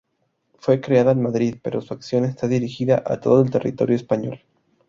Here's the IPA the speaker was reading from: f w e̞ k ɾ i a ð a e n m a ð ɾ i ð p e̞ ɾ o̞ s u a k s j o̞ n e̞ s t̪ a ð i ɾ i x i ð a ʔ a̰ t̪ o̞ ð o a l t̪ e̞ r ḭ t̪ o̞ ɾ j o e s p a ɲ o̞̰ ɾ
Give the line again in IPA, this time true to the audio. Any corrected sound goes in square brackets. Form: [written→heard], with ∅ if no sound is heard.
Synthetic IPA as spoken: f w e̞ k ɾ [i→e] a ð a e n m a ð ɾ i ð p e̞ ɾ o̞ s u a k s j o̞ n e̞ s t̪ a ð i ɾ i x i ð a ʔ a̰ t̪ o̞ ð o [a→e] l t̪ e̞ r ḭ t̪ o̞ ɾ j o e s p a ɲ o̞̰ [ɾ→l]

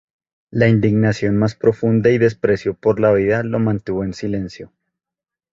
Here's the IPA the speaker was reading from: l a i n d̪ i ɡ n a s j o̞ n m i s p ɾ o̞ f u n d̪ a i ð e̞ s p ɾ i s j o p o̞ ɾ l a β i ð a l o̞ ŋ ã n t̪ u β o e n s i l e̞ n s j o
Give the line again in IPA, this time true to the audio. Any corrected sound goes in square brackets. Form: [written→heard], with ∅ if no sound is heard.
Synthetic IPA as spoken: l a i n d̪ i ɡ n a s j o̞ n m [i→a] s p ɾ o̞ f u n d̪ a i ð e̞ s p ɾ [i→e] s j o p o̞ ɾ l a β i ð a l o̞ [ŋ→m] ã n t̪ u β o e n s i l e̞ n s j o

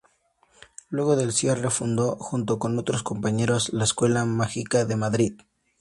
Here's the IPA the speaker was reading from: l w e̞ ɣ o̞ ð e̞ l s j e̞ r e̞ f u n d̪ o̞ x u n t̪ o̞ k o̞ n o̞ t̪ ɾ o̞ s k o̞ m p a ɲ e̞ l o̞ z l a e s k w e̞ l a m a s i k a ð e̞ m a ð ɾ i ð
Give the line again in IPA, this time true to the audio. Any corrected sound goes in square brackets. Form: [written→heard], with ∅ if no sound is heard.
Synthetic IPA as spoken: l w e̞ ɣ o̞ ð e̞ l s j e̞ r e̞ f u n d̪ o̞ x u n t̪ o̞ k o̞ n o̞ t̪ ɾ o̞ s k o̞ m p a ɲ e̞ [l→ɾ] o̞ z l a e s k w e̞ l a m a [s→x] i k a ð e̞ m a ð ɾ i ð

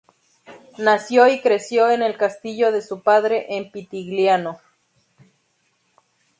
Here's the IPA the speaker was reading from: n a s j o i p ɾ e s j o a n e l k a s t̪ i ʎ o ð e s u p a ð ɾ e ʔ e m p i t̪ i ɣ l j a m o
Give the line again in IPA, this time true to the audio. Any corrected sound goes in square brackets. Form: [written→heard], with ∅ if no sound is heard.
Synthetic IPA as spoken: n a s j o i [p→k] ɾ e s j o [a→e] n e l k a s t̪ i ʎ o ð e s u p a ð ɾ e ʔ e m p i t̪ i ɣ l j a [m→n] o

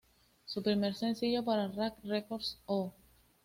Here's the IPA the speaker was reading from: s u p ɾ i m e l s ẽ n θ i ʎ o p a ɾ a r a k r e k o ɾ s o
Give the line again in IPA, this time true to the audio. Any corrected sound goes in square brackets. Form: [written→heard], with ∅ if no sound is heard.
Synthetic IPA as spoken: s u p ɾ i m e [l→ɾ] s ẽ n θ i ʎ o p a ɾ a r a k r e k o ɾ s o

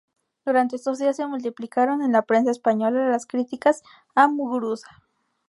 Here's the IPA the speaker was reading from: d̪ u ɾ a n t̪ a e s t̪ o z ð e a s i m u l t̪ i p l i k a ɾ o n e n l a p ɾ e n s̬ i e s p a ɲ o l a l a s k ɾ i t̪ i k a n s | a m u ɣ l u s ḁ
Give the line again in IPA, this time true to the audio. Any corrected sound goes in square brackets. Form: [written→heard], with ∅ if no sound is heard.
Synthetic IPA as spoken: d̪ u ɾ a n t̪ [a→e] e s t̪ o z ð [e→i] a s [i→e] m u l t̪ i p l i k a ɾ o n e n l a p ɾ e n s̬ [i→a] e s p a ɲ o l a l a s k ɾ i t̪ i k a [n→∅] s | a m u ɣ [l→ɾ] u s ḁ

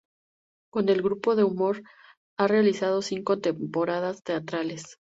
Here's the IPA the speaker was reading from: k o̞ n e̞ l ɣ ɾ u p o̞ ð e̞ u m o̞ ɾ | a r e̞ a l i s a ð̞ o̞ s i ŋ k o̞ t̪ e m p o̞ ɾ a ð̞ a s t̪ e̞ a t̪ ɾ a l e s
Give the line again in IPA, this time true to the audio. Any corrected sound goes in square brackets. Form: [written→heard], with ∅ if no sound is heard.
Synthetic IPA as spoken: k o̞ n e̞ l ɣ ɾ u p o̞ ð e̞ u m o̞ ɾ | a r e̞ a l i s a ð̞ o̞ s i ŋ k o̞ t̪ e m p o̞ ɾ a ð̞ a s t̪ e̞ a t̪ ɾ a l e s

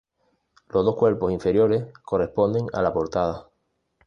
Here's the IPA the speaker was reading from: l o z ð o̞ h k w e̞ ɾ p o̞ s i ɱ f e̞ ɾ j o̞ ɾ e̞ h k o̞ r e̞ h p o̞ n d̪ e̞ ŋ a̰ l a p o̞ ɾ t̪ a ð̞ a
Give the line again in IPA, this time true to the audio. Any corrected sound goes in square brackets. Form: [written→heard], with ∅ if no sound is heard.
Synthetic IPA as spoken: l o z ð o̞ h k w e̞ ɾ p o̞ s i ɱ f e̞ ɾ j o̞ ɾ e̞ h k o̞ r e̞ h p o̞ n d̪ e̞ ŋ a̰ l a p o̞ ɾ t̪ a ð̞ a

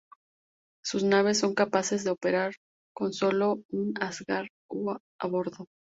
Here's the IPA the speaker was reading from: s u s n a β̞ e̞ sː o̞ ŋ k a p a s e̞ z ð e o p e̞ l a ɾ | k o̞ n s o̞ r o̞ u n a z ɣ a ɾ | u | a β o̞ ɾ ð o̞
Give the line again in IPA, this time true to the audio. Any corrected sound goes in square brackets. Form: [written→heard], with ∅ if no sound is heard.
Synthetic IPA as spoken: s u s n a β̞ e̞ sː o̞ ŋ k a p a s e̞ z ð e o p e̞ [l→ɾ] a ɾ | k o̞ n s o̞ [r→l] o̞ u n a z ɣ a ɾ | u | a β o̞ ɾ ð o̞

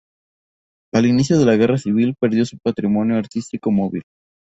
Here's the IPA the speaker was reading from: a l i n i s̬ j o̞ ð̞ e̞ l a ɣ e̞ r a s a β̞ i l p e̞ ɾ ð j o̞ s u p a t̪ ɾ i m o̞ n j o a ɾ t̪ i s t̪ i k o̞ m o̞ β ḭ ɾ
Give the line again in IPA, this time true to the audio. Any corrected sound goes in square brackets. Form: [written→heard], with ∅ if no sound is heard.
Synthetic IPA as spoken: a l i n i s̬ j o̞ ð̞ e̞ l a ɣ e̞ r a s [a→i] β̞ i l p e̞ ɾ ð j o̞ s u p a t̪ ɾ i m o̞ n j o a ɾ t̪ i s t̪ i k o̞ m o̞ β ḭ [ɾ→l]

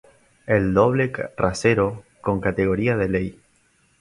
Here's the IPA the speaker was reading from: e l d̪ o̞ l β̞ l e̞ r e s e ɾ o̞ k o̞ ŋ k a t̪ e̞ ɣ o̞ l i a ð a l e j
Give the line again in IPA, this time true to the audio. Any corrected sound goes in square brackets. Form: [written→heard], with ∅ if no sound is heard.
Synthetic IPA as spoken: e l d̪ o̞ [l→∅] β̞ l e̞ r [e→a] s e ɾ o̞ k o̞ ŋ k a t̪ e̞ ɣ o̞ [l→ɾ] i a ð [a→e] l e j

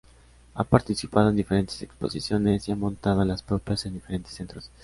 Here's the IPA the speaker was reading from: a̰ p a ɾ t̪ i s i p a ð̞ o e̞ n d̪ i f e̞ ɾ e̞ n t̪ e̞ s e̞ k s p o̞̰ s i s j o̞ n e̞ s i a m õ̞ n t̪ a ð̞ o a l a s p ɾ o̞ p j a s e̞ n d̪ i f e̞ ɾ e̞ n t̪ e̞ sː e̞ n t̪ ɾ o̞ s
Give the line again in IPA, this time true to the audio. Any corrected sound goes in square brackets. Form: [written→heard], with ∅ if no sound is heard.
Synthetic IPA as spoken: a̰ p a ɾ t̪ i s i p a ð̞ o e̞ n d̪ i f e̞ ɾ e̞ n t̪ e̞ s e̞ k s p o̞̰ s i s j o̞ n e̞ s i a m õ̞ n t̪ a ð̞ o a l a s p ɾ o̞ p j a s e̞ n d̪ i f e̞ ɾ e̞ n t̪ e̞ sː e̞ n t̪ ɾ o̞ s

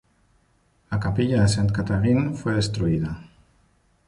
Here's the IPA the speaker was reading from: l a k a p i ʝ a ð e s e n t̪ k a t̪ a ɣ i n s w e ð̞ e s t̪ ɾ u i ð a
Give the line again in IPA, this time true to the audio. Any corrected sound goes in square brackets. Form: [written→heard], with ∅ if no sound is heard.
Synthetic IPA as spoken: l a k a p i [ʝ→ʎ] a ð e s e n t̪ k a t̪ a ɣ i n [s→f] w e ð̞ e s t̪ ɾ u i ð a

